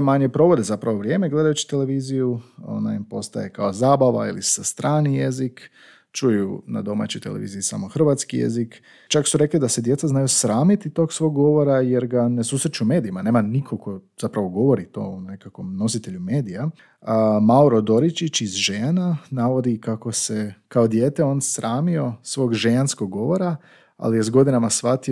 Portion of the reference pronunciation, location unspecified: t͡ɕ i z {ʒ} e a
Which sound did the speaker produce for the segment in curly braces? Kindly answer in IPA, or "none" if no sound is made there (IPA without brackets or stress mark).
ʒ